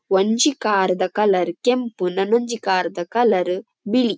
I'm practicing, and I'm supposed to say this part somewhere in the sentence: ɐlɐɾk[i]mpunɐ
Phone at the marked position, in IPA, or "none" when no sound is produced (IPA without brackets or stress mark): e